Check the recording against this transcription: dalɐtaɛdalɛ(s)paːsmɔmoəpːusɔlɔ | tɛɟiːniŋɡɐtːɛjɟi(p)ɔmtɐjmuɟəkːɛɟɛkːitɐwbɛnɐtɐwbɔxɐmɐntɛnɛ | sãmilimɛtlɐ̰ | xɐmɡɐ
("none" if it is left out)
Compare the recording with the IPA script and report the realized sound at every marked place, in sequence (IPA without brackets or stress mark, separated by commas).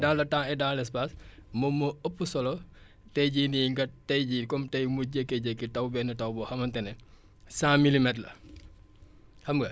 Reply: s, k